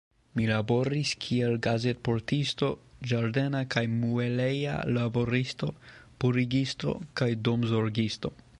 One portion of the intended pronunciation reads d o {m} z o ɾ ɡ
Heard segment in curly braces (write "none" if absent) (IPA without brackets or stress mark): m